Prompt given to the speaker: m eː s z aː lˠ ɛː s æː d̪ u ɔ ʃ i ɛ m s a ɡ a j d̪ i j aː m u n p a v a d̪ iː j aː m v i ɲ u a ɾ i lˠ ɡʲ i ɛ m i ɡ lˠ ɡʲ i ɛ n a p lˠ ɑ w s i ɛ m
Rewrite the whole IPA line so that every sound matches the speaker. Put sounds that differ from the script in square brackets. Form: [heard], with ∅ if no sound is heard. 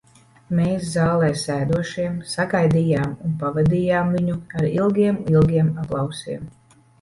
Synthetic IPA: m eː s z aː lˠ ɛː s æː d̪ u ɔ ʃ i ɛ m s a ɡ a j d̪ i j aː m u n p a v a d̪ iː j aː m v i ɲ u a ɾ i lˠ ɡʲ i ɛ m i [∅] lˠ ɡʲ i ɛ [m] a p lˠ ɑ w s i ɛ m